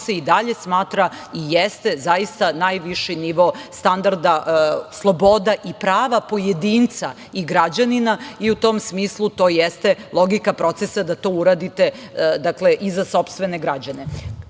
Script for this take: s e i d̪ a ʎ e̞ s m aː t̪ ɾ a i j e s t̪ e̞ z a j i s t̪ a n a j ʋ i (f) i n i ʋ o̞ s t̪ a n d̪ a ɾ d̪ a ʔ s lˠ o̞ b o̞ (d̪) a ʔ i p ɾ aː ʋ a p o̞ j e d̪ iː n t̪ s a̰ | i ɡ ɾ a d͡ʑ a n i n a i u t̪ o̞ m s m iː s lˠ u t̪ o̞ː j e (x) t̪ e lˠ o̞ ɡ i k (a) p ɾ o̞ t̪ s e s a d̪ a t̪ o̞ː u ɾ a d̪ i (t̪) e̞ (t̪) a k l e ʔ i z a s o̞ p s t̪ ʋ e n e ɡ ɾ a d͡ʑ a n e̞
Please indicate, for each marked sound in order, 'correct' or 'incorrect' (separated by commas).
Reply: incorrect, correct, incorrect, correct, correct, incorrect